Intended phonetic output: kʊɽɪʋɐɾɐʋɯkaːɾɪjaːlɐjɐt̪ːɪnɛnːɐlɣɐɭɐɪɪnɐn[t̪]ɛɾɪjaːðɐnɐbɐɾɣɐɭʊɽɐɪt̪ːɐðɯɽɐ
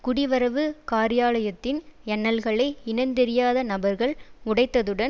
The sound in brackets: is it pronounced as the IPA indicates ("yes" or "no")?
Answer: no